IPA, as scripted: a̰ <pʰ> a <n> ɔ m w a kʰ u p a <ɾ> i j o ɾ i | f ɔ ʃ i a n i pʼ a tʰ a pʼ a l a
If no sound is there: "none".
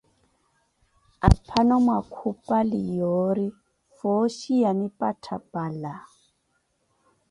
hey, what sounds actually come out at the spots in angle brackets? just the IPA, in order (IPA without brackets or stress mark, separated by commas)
pʰ, n, l